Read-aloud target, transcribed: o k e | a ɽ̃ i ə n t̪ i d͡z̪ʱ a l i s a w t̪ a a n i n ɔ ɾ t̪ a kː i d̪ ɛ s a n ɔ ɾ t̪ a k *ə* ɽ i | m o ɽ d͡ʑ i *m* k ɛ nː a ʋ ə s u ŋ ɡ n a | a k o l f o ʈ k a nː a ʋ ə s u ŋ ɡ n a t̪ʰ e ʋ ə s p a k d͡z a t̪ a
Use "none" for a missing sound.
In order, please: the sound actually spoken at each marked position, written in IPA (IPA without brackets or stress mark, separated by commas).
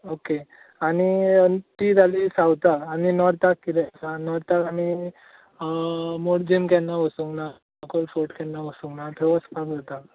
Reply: a, m